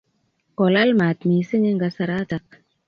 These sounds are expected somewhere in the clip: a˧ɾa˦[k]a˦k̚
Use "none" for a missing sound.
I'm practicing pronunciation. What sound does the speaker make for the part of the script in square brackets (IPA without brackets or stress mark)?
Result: t